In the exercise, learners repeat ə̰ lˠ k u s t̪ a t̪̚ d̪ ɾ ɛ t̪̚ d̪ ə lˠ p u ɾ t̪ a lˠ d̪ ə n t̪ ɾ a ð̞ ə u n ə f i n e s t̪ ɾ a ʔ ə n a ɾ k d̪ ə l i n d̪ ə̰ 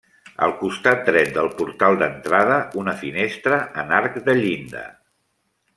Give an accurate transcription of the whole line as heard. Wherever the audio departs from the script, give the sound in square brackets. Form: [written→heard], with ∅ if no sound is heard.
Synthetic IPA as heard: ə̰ lˠ k u s t̪ a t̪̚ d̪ ɾ ɛ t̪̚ d̪ ə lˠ p u ɾ t̪ a lˠ d̪ ə n t̪ ɾ a ð̞ ə u n ə f i n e s t̪ ɾ [a→ə] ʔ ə n a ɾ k d̪ ə [l→ʎ] i n d̪ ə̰